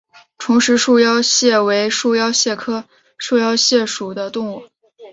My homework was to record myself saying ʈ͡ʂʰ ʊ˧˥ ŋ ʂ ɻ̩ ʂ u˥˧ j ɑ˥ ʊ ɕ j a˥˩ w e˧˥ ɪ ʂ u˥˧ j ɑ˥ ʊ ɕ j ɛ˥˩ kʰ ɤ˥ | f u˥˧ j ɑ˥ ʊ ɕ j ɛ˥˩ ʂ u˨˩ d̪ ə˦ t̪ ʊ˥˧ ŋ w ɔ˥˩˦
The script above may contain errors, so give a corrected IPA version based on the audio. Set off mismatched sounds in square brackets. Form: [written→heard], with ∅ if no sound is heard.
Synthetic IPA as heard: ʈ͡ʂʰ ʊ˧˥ ŋ ʂ ɻ̩ ʂ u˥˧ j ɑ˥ ʊ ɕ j [a˥˩→ɛ˥˩] w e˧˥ ɪ ʂ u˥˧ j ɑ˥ ʊ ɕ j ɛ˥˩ kʰ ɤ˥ | [f→ʂ] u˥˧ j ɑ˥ ʊ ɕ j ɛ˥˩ ʂ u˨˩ d̪ ə˦ t̪ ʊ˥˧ ŋ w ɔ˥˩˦